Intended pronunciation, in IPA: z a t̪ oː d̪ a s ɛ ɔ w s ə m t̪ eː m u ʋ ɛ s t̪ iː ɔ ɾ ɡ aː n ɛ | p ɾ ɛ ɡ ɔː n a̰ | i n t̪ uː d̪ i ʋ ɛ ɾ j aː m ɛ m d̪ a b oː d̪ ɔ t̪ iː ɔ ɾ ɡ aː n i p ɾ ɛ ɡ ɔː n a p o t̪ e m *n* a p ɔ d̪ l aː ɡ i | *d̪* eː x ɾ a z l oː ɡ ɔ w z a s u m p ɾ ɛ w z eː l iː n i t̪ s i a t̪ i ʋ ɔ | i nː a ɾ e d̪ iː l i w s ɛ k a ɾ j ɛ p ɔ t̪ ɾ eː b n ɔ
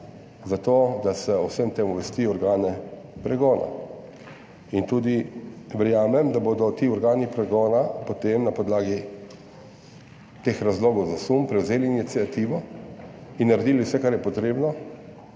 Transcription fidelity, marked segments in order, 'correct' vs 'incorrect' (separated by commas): correct, incorrect